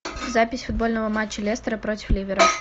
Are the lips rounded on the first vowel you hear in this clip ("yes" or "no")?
no